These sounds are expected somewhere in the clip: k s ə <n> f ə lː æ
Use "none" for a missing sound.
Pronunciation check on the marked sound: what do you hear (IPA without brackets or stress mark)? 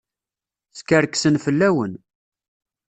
n